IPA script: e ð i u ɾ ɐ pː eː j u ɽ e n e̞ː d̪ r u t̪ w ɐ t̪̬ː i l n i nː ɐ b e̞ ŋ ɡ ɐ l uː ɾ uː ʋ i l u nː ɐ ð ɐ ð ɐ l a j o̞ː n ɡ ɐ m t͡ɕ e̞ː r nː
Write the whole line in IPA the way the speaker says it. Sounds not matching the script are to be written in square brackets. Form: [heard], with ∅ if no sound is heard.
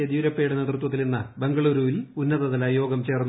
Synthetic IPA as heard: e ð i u ɾ ɐ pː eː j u ɽ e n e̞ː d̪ r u t̪ w ɐ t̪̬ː i l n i nː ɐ b e̞ ŋ ɡ ɐ [ɭ] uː ɾ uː ʋ i l u nː ɐ ð ɐ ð ɐ l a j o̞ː [∅] ɡ ɐ m t͡ɕ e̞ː r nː